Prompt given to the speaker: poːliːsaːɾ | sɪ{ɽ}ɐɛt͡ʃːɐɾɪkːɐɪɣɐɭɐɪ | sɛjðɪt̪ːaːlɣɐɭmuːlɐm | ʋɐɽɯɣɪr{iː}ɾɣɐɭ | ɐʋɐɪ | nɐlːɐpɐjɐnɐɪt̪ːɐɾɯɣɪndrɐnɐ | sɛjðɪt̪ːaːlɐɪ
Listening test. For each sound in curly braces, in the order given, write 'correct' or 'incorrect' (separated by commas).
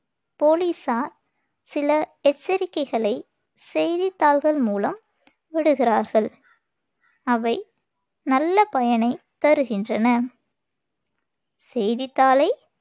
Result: incorrect, incorrect